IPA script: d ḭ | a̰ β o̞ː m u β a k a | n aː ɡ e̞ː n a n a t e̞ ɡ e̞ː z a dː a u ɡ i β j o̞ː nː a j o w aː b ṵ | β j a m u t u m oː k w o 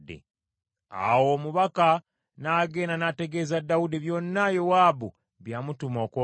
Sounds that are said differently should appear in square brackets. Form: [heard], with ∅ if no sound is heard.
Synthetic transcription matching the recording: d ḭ | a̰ [w] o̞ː m u β a k a | n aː ɡ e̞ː n a n a t e̞ ɡ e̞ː z a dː a u [d] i β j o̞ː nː a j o w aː b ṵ | β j a m u t u m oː k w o